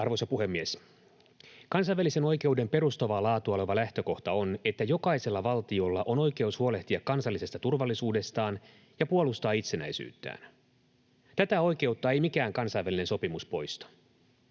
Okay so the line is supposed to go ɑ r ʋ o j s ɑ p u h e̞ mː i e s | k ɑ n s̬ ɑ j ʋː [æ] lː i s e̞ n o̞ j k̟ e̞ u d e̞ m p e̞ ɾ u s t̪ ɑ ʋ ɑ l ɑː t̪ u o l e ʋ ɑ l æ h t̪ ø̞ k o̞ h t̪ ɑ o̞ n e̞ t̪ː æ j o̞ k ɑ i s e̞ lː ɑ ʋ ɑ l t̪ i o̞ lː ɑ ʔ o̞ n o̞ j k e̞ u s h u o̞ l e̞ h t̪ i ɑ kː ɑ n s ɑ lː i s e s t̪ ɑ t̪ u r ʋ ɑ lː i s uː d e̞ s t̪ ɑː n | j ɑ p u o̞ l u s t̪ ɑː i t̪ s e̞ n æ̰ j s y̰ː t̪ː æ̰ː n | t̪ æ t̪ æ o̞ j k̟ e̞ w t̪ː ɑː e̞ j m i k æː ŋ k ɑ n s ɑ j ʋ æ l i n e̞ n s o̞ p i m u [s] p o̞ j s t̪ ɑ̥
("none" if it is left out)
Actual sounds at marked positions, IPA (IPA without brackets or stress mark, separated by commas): æ, s